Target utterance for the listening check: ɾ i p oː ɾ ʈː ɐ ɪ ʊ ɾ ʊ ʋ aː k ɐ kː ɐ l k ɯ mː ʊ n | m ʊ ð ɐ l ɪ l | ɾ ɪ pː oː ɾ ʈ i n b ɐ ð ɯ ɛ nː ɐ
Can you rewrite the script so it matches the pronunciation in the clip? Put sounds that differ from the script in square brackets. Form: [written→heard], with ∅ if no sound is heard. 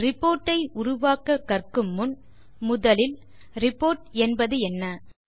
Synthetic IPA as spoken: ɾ [i→ɪ] p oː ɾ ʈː ɐ ɪ ʊ ɾ ʊ ʋ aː k ɐ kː ɐ [l→r] k ɯ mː ʊ n | m ʊ ð ɐ l ɪ l | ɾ ɪ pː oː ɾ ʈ [i→ɛ] n b ɐ ð ɯ ɛ nː ɐ

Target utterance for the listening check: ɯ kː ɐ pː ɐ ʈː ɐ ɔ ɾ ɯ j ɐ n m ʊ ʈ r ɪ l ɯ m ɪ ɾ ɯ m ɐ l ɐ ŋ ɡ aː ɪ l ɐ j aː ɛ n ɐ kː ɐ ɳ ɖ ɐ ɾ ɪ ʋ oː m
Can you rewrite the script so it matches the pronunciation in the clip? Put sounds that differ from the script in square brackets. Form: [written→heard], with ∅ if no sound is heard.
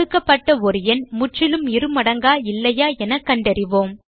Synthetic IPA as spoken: ɯ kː ɐ pː ɐ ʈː ɐ ɔ ɾ ɯ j ɐ n m ʊ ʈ r ɪ l ɯ m ɪ ɾ ɯ m ɐ [l→ɽ] ɐ ŋ ɡ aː ɪ [l→lː] ɐ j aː ɛ n ɐ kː ɐ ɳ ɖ ɐ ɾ ɪ ʋ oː m

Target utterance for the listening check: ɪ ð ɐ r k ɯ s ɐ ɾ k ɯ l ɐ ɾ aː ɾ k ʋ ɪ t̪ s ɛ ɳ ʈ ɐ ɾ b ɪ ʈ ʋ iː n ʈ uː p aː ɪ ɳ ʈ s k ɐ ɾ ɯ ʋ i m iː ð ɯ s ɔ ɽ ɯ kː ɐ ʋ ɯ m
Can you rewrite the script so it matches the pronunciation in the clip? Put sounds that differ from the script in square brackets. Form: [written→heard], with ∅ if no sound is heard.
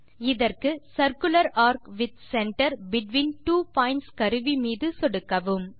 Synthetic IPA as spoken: ɪ ð ɐ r k ɯ s ɐ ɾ k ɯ l ɐ ɾ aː ɾ k ʋ ɪ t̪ s ɛ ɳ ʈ ɐ ɾ b ɪ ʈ ʋ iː n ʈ uː p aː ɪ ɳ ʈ s k ɐ ɾ ɯ ʋ i m iː ð ɯ s ɔ ɽ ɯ kː ɐ ʋ ɯ m

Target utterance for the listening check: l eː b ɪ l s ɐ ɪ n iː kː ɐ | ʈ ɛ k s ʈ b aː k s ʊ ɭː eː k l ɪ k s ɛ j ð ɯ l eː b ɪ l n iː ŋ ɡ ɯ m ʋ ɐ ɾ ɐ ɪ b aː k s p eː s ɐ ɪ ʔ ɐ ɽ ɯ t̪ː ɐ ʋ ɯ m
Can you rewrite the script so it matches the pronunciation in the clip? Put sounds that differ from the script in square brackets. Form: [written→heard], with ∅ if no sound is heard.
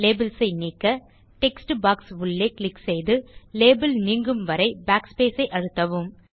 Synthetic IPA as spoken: l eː b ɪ l s ɐ ɪ n iː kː ɐ | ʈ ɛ k s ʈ b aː k s ʊ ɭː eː k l ɪ k s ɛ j ð ɯ l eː b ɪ l n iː ŋ ɡ ɯ m ʋ ɐ ɾ ɐ ɪ b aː k s p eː s ɐ ɪ ʔ ɐ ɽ ɯ t̪ː ɐ ʋ ɯ m

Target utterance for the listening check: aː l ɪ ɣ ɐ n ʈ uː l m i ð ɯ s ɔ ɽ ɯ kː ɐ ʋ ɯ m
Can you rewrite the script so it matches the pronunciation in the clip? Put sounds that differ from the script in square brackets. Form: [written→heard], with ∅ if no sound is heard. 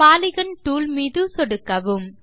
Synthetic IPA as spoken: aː l ɪ ɣ ɐ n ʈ uː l m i ð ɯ s ɔ ɽ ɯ kː ɐ ʋ ɯ m

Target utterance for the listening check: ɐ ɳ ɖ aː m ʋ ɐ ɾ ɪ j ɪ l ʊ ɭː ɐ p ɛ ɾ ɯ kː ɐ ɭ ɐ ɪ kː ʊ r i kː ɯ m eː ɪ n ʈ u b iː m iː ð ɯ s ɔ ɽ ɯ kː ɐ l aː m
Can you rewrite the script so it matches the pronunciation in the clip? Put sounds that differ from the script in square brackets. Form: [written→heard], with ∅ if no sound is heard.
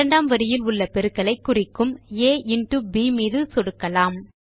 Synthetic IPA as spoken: ɐ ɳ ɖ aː m ʋ ɐ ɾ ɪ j ɪ l ʊ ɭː ɐ p ɛ ɾ ɯ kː ɐ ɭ ɐ ɪ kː ʊ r [i→ɪ] kː ɯ m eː ɪ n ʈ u b iː m iː ð ɯ s ɔ ɽ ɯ kː ɐ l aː m

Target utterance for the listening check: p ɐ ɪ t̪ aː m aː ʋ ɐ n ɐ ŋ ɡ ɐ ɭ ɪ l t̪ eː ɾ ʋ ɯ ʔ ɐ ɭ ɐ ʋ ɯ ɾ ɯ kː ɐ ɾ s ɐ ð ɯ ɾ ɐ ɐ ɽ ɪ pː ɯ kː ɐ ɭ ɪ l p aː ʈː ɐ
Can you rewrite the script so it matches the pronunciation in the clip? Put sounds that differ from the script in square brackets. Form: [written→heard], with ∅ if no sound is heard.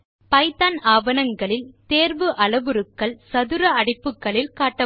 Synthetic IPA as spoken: p ɐ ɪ t̪ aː [m→n] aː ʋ ɐ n ɐ ŋ ɡ ɐ ɭ ɪ l t̪ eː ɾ ʋ ɯ ʔ ɐ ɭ ɐ ʋ ɯ ɾ ɯ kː ɐ [ɾ→ɭ] s ɐ ð ɯ ɾ ɐ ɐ ɽ ɪ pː ɯ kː ɐ ɭ ɪ l [p→k] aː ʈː ɐ

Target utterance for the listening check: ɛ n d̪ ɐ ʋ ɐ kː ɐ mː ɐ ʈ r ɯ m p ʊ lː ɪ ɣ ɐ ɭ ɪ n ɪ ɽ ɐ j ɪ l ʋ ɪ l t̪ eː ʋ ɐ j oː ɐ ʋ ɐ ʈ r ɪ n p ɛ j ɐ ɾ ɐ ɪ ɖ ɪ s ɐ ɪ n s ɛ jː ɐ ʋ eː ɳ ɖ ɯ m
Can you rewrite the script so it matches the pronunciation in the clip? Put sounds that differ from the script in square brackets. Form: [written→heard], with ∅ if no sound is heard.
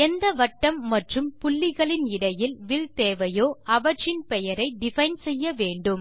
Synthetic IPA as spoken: ɛ n d̪ ɐ ʋ ɐ [kː→ʈː] ɐ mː ɐ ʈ r ɯ m p ʊ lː ɪ ɣ ɐ ɭ ɪ n ɪ ɽ ɐ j ɪ l ʋ ɪ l t̪ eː ʋ ɐ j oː ɐ ʋ ɐ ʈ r ɪ n p ɛ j ɐ ɾ ɐ ɪ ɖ ɪ [s→f] ɐ ɪ n s ɛ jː ɐ ʋ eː ɳ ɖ ɯ m

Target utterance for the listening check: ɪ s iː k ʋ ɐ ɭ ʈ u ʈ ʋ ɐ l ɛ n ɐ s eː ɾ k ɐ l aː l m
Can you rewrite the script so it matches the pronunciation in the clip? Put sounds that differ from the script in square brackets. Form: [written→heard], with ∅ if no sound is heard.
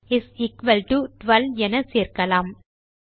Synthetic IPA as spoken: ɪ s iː k ʋ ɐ [ɭ→l] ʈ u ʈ ʋ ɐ l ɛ n ɐ s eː ɾ k ɐ l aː [l→∅] m

